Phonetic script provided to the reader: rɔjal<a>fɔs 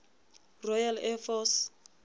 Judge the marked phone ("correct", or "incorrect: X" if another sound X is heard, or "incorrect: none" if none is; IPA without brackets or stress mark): incorrect: ɛ